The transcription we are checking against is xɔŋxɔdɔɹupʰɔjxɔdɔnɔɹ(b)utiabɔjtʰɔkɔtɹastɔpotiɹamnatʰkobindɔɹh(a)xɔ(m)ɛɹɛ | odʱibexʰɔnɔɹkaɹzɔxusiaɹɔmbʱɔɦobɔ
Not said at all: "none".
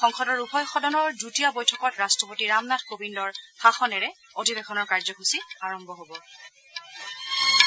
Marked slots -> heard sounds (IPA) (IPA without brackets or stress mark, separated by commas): d, a, n